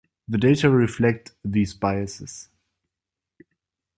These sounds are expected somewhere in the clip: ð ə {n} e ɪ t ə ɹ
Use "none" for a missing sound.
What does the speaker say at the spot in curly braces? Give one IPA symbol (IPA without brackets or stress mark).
d